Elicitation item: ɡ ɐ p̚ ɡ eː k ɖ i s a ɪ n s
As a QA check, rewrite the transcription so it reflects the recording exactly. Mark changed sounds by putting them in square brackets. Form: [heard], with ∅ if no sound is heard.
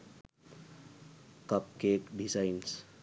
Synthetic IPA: [k] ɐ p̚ [k] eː k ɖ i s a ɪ n s